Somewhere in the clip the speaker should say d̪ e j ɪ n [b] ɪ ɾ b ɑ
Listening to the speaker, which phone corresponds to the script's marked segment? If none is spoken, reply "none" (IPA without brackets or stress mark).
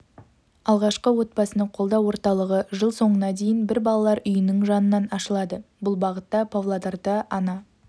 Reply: b